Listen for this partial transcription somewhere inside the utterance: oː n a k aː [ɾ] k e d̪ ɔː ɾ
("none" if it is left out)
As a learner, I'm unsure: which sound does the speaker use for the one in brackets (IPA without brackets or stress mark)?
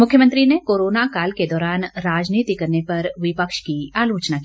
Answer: l